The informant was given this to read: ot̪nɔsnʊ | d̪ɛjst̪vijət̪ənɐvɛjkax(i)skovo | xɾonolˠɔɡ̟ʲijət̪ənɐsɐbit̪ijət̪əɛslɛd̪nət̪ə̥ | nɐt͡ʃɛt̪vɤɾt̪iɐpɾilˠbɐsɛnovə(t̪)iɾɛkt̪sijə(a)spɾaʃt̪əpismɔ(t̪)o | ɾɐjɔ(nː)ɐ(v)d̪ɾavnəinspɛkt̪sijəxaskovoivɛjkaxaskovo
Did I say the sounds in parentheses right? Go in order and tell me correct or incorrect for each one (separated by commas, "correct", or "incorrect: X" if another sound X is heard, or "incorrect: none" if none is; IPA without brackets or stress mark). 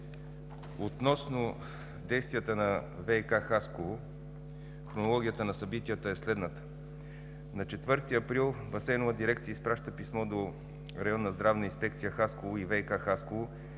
incorrect: a, incorrect: d̪, incorrect: i, incorrect: d̪, correct, incorrect: z